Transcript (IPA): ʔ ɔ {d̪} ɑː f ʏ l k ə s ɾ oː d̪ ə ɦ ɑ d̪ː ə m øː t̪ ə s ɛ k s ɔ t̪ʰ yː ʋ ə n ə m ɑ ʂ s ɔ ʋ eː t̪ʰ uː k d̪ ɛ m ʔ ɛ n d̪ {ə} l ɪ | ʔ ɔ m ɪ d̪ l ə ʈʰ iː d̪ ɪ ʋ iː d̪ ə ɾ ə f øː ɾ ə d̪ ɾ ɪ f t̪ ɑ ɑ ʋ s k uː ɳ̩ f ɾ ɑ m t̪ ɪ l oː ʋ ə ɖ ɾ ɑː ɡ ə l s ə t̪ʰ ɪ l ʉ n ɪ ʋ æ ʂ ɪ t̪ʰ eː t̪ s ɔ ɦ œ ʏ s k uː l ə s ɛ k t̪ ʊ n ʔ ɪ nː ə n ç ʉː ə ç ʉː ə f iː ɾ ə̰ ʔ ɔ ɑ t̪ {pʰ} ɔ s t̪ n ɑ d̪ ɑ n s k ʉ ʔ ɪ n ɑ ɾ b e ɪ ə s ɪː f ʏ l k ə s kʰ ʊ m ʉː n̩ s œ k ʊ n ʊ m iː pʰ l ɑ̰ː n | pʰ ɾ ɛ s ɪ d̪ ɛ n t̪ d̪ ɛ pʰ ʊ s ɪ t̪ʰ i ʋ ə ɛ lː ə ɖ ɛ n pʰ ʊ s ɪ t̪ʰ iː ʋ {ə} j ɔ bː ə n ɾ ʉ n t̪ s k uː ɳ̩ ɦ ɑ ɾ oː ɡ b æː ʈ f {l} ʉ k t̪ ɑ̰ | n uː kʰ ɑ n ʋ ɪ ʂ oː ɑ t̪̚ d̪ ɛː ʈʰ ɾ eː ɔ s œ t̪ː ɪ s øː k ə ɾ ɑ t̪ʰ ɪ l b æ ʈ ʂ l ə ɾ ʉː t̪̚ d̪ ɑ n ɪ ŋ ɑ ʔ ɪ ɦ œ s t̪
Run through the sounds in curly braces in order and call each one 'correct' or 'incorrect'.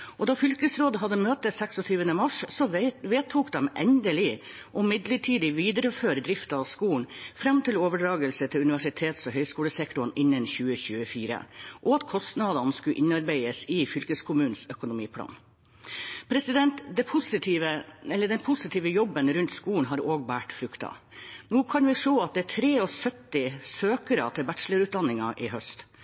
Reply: correct, correct, incorrect: kʰ, correct, incorrect: ɾ

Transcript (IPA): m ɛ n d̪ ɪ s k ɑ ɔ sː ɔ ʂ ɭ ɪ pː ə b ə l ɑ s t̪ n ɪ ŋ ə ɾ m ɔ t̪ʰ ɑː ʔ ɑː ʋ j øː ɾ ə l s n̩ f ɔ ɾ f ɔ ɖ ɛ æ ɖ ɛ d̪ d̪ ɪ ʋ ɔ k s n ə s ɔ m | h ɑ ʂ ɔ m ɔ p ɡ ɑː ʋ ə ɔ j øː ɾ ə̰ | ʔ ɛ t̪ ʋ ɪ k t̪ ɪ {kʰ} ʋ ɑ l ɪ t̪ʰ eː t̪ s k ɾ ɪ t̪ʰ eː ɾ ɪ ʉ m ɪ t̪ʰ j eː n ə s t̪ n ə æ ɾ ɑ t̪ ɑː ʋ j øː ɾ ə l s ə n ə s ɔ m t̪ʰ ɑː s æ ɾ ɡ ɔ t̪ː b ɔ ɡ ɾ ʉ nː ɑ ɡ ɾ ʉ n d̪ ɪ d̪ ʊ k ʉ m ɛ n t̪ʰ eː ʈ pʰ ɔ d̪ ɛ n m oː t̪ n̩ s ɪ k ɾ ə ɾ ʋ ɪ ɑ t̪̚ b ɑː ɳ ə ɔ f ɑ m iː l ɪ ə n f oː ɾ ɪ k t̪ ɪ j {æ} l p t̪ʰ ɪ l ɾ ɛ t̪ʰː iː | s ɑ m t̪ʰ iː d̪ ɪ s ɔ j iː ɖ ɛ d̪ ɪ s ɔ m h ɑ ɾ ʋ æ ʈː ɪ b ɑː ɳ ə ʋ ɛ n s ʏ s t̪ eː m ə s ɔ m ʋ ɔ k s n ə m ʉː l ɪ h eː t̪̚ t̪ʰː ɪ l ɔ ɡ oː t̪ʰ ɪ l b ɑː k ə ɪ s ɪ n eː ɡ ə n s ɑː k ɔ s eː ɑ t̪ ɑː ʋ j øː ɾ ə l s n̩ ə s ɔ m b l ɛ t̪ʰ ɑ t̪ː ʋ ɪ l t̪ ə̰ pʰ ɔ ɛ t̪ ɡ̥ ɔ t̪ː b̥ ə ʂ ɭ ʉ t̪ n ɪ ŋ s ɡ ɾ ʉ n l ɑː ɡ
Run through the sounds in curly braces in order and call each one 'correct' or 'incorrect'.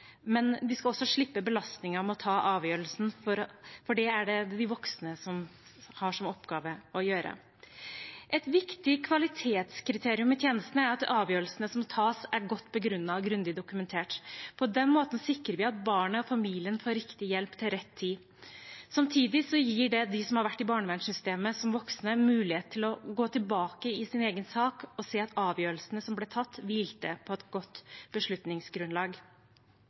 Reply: correct, incorrect: ɛ

